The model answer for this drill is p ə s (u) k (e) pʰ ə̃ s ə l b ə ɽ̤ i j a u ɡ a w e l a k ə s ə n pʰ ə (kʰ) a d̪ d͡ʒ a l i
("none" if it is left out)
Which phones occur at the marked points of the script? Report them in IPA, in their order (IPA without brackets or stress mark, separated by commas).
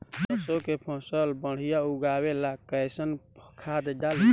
o, e, kʰ